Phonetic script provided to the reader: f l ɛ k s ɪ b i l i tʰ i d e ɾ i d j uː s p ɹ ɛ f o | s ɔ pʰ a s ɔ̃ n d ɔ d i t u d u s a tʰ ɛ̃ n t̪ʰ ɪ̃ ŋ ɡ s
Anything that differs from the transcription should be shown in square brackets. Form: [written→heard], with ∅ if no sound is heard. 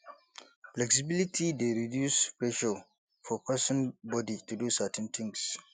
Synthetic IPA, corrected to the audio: f l ɛ k s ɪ b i l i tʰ i d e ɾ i d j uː s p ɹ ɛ [f→ʃ] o | [s→f] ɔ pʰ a s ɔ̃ n [d→b] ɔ d i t u d u s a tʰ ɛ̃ n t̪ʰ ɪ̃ ŋ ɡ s